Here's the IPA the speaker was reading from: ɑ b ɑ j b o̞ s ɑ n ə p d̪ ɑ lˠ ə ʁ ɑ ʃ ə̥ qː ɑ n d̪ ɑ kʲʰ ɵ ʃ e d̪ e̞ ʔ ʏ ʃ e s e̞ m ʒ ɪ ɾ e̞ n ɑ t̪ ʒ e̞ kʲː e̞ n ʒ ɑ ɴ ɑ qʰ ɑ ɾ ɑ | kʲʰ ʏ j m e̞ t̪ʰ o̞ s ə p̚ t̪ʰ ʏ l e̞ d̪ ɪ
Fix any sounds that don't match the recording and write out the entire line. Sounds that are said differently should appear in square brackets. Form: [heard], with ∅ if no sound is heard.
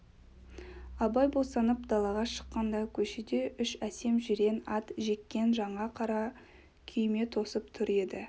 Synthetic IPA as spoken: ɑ b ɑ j b o̞ s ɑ n ə p d̪ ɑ lˠ [ɑ] ʁ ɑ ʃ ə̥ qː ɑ n d̪ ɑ kʲʰ ɵ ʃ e d̪ e̞ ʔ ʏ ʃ [æ] s e̞ m ʒ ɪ ɾ e̞ n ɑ t̪ ʒ e̞ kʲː e̞ n ʒ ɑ ɴ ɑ qʰ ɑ ɾ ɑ | kʲʰ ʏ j m e̞ t̪ʰ o̞ s ə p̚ t̪ʰ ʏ [ɾ] e̞ d̪ ɪ